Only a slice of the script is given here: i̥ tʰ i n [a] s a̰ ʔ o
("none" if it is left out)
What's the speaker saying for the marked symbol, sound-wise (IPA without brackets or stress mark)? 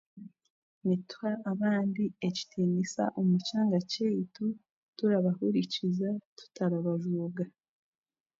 i